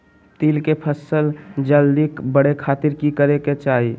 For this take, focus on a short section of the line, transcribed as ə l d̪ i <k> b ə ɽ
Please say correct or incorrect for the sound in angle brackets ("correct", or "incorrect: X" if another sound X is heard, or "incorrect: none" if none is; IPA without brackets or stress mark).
correct